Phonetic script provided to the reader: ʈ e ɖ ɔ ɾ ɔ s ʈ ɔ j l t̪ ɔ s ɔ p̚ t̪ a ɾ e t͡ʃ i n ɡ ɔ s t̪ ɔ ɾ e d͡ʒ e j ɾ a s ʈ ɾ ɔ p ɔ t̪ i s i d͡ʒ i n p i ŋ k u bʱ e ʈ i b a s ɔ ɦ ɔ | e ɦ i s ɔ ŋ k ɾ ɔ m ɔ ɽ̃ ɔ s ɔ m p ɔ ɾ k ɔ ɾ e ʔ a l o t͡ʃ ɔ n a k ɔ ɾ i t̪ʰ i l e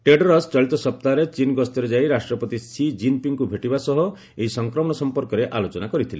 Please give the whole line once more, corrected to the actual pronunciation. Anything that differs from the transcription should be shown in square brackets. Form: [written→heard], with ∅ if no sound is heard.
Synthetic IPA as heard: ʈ e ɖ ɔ ɾ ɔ s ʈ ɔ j l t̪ ɔ s ɔ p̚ t̪ a ɾ e t͡ʃ i n ɡ ɔ s t̪ ɔ ɾ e d͡ʒ [e→a] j ɾ a s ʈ ɾ ɔ p ɔ t̪ i s i d͡ʒ i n p i ŋ k u bʱ e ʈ i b a s ɔ ɦ ɔ | e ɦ i s ɔ ŋ k ɾ ɔ m ɔ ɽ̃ ɔ s ɔ m p ɔ ɾ k ɔ ɾ e ʔ a l o t͡ʃ ɔ n a k ɔ ɾ i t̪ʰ i l e